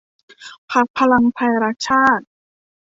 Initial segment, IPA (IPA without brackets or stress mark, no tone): pʰ